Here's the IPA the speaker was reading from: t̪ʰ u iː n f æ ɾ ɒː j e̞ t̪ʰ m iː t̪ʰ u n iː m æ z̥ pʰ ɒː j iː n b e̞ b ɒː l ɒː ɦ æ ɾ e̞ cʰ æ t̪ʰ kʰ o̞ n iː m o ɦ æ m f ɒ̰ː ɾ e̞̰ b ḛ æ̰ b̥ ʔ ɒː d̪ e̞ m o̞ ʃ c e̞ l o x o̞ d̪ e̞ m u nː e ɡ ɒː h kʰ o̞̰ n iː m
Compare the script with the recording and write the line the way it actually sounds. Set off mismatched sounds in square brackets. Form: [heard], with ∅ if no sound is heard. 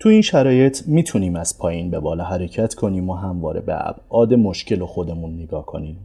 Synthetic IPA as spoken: t̪ʰ u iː n [ʃ] æ ɾ ɒː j e̞ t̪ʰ m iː t̪ʰ u n iː m æ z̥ pʰ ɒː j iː n b e̞ b ɒː l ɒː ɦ æ ɾ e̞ cʰ æ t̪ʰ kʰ o̞ n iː m o ɦ æ m [v] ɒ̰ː ɾ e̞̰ b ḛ æ̰ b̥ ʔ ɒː d̪ e̞ m o̞ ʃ c e̞ l o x o̞ d̪ e̞ m u nː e ɡ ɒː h kʰ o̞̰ n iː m